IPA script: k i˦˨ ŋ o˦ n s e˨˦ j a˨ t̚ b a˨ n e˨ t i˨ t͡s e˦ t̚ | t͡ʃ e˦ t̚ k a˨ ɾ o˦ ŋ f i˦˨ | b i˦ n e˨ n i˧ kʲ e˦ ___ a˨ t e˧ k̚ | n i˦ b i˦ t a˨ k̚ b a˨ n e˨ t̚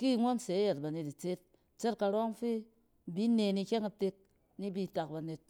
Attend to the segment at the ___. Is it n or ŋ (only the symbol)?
ŋ